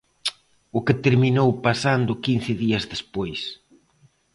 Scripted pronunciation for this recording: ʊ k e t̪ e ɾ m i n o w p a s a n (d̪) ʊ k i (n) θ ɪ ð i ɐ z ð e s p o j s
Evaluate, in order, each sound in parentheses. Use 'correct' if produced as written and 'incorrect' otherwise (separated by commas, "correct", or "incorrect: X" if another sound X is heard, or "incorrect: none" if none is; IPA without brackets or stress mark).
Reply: correct, correct